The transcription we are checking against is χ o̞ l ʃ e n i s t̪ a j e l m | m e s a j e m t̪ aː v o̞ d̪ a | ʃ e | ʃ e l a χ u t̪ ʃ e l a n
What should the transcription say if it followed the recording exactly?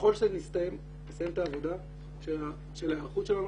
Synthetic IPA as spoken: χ o̞ l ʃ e n i s t̪ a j e m | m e s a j e m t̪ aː v o̞ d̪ a | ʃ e | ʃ e l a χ u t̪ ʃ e l a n